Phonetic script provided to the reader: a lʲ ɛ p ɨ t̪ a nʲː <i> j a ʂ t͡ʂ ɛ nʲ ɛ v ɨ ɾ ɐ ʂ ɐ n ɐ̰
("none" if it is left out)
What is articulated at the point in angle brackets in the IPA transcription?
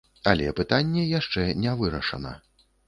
ɛ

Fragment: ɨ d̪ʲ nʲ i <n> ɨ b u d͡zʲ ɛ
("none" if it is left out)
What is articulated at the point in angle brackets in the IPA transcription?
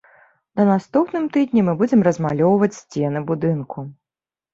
m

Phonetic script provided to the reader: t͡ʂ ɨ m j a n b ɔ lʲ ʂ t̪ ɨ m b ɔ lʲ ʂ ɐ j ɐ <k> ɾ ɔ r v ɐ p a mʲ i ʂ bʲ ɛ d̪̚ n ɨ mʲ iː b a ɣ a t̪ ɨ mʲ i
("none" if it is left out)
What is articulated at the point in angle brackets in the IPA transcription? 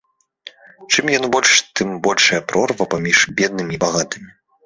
p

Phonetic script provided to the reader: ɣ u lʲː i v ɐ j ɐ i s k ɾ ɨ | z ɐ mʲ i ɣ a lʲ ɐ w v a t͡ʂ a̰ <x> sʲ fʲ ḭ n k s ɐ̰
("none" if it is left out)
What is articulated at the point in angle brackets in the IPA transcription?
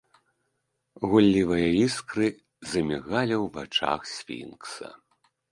x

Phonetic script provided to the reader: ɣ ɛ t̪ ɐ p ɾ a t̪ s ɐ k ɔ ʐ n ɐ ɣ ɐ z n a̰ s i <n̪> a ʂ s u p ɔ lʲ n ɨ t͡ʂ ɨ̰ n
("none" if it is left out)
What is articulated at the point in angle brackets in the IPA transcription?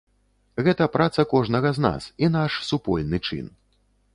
n̪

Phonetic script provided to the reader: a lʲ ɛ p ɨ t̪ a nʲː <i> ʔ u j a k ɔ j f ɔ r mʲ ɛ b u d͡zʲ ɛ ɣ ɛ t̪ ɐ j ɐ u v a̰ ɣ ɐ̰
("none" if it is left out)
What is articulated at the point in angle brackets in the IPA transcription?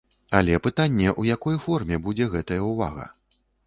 ɛ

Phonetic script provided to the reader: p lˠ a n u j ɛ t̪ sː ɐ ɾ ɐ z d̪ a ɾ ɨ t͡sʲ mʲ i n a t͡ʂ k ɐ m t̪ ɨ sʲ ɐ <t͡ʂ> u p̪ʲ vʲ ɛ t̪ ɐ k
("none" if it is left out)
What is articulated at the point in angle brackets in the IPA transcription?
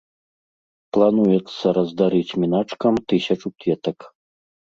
t͡ʂ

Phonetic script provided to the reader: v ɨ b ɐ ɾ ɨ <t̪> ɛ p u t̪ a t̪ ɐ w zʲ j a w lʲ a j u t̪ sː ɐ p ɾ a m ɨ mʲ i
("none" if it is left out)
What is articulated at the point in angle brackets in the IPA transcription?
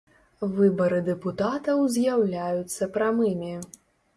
d̪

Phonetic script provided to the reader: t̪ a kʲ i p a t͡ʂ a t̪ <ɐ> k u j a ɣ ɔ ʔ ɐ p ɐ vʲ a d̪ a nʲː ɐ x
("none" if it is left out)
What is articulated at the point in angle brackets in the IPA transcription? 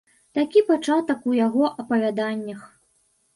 ɐ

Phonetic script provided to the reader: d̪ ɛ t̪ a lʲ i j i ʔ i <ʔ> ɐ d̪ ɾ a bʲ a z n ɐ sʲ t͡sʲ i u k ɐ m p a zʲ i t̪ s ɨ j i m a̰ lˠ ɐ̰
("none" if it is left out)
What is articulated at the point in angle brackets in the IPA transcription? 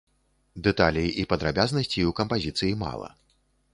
p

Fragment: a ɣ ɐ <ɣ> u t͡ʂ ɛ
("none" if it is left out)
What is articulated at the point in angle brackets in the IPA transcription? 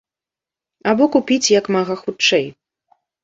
x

